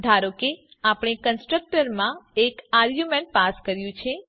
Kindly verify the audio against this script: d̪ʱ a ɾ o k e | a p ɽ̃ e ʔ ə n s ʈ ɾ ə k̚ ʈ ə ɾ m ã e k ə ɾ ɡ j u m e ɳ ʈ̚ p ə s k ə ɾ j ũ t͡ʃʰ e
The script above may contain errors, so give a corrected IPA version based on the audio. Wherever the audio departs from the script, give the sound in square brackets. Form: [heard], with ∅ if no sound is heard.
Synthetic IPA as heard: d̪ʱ a ɾ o k e | a p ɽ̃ e [k] ə n s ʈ ɾ ə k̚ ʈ ə ɾ m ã e k [a] ɾ ɡ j u m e ɳ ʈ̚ p [a] s k ə ɾ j ũ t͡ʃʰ e